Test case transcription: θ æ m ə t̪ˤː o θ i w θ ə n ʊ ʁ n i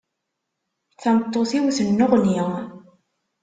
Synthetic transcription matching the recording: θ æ m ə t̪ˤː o θ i w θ ə nː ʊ ʁ n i